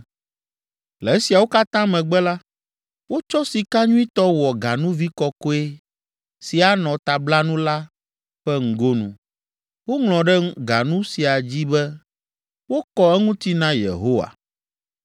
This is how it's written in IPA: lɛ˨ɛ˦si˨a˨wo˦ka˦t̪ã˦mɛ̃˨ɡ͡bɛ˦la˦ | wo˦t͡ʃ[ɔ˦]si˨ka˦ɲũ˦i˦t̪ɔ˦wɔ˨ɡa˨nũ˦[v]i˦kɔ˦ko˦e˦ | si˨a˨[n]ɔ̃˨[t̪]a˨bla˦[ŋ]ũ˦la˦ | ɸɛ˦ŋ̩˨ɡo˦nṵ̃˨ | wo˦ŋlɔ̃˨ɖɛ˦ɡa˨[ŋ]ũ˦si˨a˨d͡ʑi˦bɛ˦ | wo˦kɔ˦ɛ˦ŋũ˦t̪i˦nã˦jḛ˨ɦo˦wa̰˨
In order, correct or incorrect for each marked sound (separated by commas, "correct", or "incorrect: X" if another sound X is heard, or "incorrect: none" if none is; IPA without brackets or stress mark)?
correct, correct, correct, correct, incorrect: n, incorrect: n